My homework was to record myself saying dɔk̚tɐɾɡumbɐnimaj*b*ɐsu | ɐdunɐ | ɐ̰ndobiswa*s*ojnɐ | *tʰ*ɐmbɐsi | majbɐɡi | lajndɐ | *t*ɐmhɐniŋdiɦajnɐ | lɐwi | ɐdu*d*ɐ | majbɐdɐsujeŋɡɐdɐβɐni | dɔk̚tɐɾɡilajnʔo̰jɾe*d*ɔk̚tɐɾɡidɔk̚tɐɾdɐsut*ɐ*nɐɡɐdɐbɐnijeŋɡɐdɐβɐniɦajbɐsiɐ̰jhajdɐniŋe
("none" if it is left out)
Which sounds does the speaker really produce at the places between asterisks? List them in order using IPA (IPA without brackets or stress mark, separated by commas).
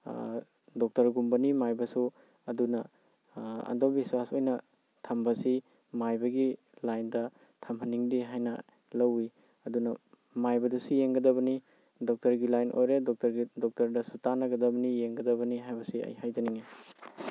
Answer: b, s, tʰ, tʰ, n, d, a